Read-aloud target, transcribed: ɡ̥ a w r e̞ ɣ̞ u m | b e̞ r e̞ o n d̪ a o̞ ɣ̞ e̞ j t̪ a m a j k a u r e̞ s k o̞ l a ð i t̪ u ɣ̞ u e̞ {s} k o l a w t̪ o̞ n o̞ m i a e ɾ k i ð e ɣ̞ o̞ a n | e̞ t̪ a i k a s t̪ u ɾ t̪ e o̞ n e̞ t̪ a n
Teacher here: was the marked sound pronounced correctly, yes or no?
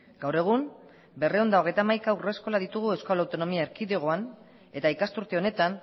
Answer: yes